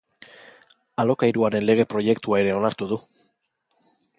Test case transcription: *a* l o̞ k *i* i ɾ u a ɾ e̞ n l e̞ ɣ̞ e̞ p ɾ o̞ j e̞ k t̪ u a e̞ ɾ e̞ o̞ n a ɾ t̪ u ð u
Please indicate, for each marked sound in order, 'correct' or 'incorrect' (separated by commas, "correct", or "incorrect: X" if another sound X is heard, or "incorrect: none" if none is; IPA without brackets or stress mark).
correct, incorrect: a